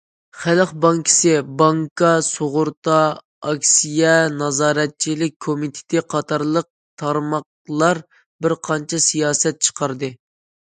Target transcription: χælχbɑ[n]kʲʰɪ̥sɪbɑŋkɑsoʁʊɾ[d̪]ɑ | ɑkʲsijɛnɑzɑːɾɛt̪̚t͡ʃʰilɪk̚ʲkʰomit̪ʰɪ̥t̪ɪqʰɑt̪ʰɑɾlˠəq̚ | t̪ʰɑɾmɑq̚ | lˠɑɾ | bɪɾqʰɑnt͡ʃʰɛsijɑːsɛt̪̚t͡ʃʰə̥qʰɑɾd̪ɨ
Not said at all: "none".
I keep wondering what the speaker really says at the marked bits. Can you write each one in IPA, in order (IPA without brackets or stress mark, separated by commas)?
ŋ, t̪